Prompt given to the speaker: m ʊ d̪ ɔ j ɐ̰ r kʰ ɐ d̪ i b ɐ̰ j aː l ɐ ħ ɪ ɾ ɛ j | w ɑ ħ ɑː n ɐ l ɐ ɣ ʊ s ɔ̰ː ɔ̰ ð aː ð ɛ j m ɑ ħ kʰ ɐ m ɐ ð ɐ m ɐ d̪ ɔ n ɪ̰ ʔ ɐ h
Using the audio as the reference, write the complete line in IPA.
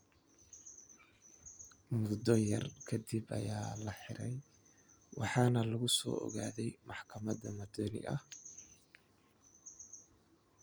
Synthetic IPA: m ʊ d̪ ɔ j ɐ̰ r kʰ ɐ d̪ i b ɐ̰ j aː l ɐ ħ ɪ ɾ ɛ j | w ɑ ħ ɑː n ɐ l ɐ ɣ ʊ s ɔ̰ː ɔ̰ ɣ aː ð ɛ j m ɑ ħ kʰ ɐ m ɐ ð ɐ m ɐ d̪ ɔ n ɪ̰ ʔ ɐ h

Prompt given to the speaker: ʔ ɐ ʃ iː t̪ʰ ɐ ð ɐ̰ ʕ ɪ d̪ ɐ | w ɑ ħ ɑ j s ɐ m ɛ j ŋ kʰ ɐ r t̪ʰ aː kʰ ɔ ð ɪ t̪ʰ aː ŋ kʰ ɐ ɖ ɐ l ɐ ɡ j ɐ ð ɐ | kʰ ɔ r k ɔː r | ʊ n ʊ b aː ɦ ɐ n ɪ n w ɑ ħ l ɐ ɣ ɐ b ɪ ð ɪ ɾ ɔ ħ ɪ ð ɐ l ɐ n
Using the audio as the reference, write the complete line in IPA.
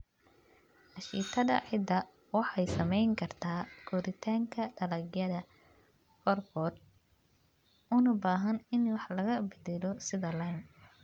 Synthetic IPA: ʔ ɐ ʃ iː t̪ʰ ɐ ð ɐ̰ ʕ ɪ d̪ ɐ | w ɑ ħ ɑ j s ɐ m ɛ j ŋ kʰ ɐ r t̪ʰ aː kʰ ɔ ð ɪ t̪ʰ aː ŋ kʰ ɐ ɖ ɐ l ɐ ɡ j ɐ ð ɐ | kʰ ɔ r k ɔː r | ʊ n ʊ b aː ɦ ɐ n ɪ n w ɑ ħ l ɐ ɣ ɐ b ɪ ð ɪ l ɔ s ɪ ð ɐ l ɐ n

